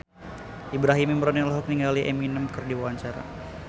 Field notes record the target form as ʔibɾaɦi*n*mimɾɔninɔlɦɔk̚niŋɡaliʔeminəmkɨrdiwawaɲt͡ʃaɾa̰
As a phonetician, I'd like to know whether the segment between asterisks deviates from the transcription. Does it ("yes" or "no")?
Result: yes